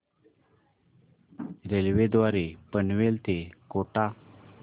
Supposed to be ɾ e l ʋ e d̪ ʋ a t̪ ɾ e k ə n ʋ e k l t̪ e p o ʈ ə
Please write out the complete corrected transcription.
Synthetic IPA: ɾ e l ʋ e d̪ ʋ a ɾ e p ə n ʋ e l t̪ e k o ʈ a

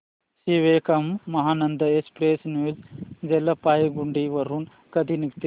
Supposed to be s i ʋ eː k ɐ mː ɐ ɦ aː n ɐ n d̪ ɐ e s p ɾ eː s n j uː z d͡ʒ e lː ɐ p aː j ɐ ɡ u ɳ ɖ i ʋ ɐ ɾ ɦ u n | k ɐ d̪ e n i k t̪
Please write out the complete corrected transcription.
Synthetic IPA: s i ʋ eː k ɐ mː ɐ ɦ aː n ɐ n d̪ ɐ e s p ɾ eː s n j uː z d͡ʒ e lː ɐ p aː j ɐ ɡ u ɳ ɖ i ʋ ɐ ɾ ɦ u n | k ɐ d̪ i n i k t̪

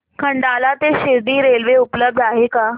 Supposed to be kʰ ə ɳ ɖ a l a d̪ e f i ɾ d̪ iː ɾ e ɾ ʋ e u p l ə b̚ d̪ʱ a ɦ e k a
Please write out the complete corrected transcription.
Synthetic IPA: kʰ ə ɳ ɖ a l a t̪ e ɕ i ɾ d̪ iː ɾ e l ʋ e u p l ə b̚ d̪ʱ a ɦ e k a

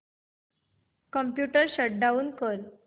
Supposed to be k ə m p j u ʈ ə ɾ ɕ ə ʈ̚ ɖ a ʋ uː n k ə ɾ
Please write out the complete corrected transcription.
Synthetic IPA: k ə m p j u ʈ ə ɾ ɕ ə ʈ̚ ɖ a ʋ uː n k ə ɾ

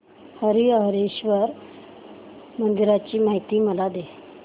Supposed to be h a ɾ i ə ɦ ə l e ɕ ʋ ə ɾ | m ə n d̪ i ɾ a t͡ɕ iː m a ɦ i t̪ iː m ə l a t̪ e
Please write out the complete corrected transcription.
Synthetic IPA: h ə ɾ i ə ɦ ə ɾ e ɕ ʋ ə ɾ | m ə n d̪ i ɾ a t͡ɕ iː m a ɦ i t̪ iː m ə l a d̪ e

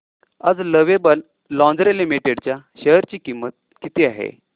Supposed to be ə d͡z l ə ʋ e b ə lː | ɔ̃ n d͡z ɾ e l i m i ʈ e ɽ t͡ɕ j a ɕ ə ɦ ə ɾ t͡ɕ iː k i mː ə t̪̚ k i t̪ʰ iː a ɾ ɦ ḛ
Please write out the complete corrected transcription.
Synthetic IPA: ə d͡z l ə ʋ e b ə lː | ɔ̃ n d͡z ɾ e l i m i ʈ e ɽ t͡ɕ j a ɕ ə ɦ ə ɾ t͡ɕ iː k i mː ə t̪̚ k i t̪ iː a ɦ ḛ

